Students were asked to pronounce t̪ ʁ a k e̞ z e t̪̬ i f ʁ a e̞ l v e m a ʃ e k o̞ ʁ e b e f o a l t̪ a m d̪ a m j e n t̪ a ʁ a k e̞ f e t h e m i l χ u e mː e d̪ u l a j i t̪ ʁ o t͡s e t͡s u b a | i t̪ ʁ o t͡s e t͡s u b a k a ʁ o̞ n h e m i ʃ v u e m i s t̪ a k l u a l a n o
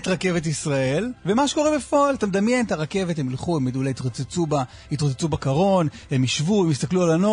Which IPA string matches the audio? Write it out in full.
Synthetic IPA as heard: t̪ ʁ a k e̞ v e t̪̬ i s ʁ a e̞ l v e m a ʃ e k o̞ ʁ e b e f o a l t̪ a m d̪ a m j e n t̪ a ʁ a k e̞ v e t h e m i l χ u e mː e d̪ u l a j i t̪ ʁ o t͡s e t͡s u b a | i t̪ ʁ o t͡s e t͡s u b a k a ʁ o̞ n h e m i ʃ v u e m i s t̪ a k l u a l a n o